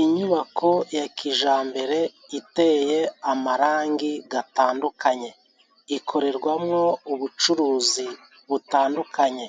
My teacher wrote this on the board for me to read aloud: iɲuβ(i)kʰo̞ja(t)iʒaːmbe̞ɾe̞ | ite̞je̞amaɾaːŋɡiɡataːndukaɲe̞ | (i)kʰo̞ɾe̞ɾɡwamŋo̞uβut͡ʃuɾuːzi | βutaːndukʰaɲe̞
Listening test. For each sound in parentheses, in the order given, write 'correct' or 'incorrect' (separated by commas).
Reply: incorrect, incorrect, correct